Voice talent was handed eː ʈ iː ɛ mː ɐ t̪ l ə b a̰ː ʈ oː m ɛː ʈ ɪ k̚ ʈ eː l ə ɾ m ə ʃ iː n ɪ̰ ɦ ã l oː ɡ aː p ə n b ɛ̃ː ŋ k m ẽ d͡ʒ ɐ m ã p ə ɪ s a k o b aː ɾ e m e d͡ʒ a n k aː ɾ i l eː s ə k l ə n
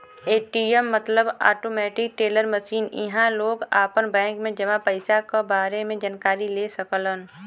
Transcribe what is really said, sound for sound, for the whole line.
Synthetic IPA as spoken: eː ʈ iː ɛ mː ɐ t̪ l ə b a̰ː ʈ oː m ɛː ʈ ɪ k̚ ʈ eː l ə ɾ m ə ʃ iː n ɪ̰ ɦ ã l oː ɡ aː p ə n b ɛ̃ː ŋ k m ẽ d͡ʒ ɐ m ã p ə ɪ s a k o b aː ɾ e m ẽ d͡ʒ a n k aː ɾ i l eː s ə k l ə n